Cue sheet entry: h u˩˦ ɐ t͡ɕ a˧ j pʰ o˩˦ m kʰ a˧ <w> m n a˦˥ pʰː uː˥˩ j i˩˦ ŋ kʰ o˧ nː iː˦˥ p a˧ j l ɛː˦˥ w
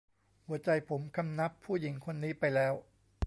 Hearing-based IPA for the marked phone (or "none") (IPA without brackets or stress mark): none